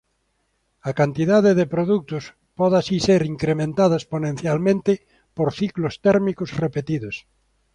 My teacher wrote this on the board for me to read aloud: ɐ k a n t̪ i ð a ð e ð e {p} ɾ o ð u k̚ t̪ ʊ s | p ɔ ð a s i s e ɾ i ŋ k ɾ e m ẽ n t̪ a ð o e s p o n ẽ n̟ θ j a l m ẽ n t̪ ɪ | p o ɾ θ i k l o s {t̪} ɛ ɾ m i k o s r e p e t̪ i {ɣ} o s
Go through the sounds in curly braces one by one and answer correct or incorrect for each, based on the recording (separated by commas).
correct, correct, incorrect